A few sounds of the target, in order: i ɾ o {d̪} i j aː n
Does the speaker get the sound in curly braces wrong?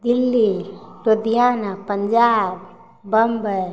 no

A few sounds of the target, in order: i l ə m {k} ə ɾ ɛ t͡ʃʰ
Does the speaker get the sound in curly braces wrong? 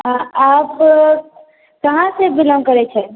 no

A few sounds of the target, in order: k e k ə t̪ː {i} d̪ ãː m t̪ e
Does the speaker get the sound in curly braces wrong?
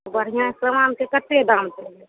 yes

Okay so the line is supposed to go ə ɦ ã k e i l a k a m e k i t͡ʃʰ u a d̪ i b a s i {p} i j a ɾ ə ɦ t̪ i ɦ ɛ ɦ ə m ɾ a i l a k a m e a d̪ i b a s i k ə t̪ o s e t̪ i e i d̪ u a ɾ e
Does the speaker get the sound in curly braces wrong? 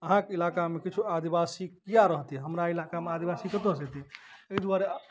yes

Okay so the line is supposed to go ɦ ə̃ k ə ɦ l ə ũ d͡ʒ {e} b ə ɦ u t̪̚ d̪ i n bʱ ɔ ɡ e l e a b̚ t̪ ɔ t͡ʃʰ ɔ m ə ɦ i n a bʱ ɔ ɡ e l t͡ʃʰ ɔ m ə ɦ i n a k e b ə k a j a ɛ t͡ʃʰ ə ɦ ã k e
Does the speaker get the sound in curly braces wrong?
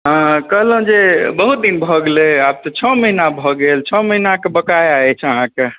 no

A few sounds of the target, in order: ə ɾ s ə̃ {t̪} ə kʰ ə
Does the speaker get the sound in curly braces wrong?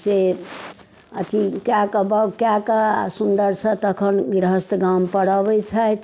no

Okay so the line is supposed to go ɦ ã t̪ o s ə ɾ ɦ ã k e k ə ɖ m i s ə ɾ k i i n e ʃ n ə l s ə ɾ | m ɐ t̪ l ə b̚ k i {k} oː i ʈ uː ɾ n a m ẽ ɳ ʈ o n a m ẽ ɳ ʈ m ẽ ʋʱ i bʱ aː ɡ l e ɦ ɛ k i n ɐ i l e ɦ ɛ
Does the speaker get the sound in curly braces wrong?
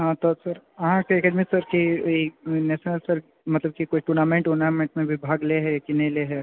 no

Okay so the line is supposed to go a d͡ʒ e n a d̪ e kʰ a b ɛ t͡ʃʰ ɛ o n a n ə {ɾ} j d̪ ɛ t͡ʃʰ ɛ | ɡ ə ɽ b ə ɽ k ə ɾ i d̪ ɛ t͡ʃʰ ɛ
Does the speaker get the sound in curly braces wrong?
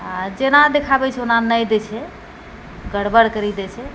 yes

